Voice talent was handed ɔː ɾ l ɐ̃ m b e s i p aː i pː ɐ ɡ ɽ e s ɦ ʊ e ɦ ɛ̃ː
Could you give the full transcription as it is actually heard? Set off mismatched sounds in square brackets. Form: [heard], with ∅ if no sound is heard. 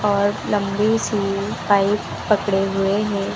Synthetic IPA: ɔː ɾ l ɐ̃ m b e s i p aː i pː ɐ [k] ɽ e [∅] ɦ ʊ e ɦ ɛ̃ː